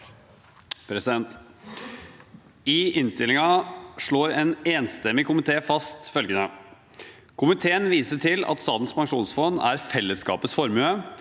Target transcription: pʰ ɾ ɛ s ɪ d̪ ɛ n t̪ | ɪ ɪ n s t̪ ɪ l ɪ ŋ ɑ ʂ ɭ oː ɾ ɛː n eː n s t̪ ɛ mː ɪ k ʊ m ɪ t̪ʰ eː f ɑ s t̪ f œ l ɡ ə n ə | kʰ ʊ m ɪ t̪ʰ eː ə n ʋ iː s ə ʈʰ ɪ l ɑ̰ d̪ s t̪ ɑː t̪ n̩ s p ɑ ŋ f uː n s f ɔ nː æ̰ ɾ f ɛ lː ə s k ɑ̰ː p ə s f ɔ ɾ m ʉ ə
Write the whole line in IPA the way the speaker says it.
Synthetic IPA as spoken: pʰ ɾ ɛ s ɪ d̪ ɛ n t̪ | ɪ ɪ n s t̪ ɪ l ɪ ŋ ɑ ʂ ɭ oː ɾ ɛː n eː n s t̪ ɛ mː ɪ k ʊ m ɪ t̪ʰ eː f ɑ s t̪ f œ l ɡ ə n ə | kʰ ʊ m ɪ t̪ʰ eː ə n ʋ iː s ə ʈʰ ɪ l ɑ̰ t̪ s t̪ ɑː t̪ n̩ s p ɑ ŋ ʂ uː n s f ɔ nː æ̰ ɾ f ɛ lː ə s k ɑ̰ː p ə s f ɔ ɾ m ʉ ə

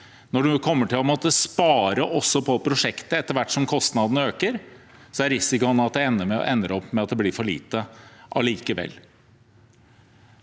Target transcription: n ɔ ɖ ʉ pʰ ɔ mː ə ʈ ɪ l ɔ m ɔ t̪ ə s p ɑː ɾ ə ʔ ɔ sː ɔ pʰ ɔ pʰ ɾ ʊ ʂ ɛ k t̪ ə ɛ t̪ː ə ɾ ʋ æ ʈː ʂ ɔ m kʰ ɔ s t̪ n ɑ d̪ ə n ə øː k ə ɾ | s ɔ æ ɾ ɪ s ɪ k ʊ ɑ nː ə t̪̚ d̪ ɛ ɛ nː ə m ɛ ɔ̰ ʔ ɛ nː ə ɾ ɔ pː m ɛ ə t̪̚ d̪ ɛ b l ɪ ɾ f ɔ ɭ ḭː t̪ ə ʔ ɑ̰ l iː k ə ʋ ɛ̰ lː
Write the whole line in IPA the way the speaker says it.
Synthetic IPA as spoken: n ɔ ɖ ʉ kʰ ɔ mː ə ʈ ɪ l ɔ m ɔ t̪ ə s p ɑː ɾ ə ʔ ɔ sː ɔ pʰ ɔ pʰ ɾ ʊ ʂ ɛ k t̪ ə ɛ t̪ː ə ɾ ʋ æ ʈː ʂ ɔ m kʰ ɔ s t̪ n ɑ d̪ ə n ə øː k ə ɾ | s ɔ æ ɾ ɪ s ɪ k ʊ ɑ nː ɑ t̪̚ d̪ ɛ ɛ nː ə m ɛ ɔ̰ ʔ ɛ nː ə ɾ ɔ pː m ɛ ɑ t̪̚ d̪ ɛ b l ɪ ɾ f ɔ ɭ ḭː t̪ ə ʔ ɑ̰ l iː k ə ʋ ɛ̰ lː

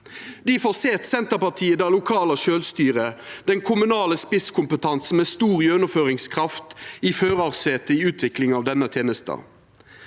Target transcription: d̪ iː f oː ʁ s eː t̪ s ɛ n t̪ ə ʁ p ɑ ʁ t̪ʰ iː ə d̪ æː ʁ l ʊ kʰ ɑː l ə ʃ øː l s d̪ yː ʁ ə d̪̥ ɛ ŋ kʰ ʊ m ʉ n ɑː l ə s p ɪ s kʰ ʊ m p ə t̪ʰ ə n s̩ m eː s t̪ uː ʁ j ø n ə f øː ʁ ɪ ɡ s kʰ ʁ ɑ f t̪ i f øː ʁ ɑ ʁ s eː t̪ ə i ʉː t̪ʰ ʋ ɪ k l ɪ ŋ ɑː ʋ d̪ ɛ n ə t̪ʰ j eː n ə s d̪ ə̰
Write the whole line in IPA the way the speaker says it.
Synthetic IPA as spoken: d̪ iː f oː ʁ s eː t̪ s ɛ n t̪ ə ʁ p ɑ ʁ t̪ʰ iː ə d̪ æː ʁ l ʊ kʰ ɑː l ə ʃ øː l s t̪ yː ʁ ə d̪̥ ɛ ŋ kʰ ʊ m ʉ n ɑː l ə s p ɪ s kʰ ʊ m p ə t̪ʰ ɑ n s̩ m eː s t̪ uː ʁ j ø n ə f øː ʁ ɪ ŋ s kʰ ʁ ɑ f t̪ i f øː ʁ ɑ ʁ s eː t̪ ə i ʉː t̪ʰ ʋ ɪ k l ɪ ŋ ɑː ʋ d̪ ɛ n ə t̪ʰ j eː n ə s t̪ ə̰

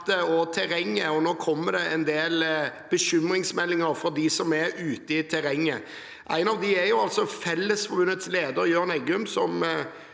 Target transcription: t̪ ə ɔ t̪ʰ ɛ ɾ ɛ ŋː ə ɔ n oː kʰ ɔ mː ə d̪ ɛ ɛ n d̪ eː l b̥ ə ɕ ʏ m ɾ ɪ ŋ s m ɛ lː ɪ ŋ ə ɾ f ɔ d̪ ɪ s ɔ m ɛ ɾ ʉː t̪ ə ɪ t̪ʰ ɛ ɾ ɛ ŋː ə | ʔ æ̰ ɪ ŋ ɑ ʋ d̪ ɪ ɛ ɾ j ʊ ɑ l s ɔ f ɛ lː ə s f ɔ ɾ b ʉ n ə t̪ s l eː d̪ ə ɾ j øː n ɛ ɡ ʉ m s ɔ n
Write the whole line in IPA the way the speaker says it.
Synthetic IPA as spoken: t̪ ə ɔ t̪ʰ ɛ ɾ ɛ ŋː ə ɔ n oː kʰ ɔ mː ə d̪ ɛ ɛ n d̪ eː l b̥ ə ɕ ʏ m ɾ ɪ ŋ s m ɛ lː ɪ ŋ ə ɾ f ɔ d̪ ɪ s ɔ m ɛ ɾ ʉː t̪ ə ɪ t̪ʰ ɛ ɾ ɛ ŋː ə | ʔ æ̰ ɪ n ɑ ʋ d̪ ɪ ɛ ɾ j ʊ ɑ l s ɔ f ɛ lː ə s f ɔ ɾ b ʉ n ə t̪ s l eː d̪ ə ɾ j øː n ɛ ɡ ʉ m s ɔ m

